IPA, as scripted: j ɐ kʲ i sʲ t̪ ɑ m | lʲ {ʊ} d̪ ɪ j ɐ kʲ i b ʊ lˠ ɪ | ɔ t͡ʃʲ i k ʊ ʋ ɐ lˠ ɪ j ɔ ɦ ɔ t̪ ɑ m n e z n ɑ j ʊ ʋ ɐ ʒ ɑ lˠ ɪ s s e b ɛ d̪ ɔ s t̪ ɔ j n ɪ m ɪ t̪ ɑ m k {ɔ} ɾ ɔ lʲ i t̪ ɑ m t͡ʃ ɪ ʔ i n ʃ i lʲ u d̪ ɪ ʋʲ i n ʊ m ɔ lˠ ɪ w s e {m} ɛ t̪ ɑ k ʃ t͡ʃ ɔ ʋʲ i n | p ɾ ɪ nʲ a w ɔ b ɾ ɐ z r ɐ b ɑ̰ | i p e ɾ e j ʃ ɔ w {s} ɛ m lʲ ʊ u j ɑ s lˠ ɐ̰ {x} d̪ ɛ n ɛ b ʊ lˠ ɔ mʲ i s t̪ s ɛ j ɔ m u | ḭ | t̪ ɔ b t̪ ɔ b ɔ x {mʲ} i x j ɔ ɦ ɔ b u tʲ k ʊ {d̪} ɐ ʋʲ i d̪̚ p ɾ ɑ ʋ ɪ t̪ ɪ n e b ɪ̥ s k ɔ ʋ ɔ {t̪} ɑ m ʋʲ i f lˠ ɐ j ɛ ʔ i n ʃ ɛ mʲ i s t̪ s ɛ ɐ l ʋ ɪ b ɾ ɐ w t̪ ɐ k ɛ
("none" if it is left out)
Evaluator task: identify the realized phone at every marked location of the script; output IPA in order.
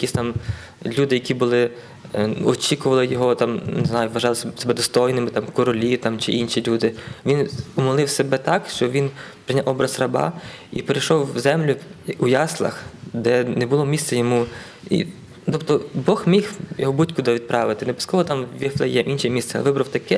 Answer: u, ɔ, b, z, x, mʲ, d̪, t̪

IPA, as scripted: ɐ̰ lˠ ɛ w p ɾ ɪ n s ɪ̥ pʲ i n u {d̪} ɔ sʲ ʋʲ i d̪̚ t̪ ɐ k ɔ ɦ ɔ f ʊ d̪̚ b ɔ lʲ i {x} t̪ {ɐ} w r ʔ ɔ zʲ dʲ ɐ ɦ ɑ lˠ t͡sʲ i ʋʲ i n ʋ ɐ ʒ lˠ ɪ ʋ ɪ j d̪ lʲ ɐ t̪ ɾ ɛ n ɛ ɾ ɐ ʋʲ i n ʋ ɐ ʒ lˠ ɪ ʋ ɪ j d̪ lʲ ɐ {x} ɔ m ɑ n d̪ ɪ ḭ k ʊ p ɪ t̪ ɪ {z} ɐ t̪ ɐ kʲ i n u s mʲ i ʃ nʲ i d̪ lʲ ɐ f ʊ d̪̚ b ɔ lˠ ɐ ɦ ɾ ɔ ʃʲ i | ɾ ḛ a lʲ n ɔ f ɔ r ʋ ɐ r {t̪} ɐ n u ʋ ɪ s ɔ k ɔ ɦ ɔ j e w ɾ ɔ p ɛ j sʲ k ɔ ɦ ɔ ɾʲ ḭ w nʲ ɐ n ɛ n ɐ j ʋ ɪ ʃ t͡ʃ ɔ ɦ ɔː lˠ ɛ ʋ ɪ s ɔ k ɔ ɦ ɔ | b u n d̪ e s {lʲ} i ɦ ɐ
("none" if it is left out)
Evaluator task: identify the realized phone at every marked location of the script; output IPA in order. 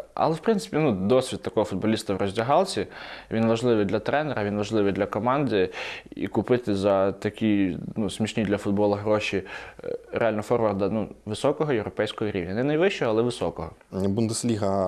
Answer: d̪, s, ɐ, k, z, d̪, lʲ

